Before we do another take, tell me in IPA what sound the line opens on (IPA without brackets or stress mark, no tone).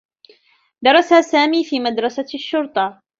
d̪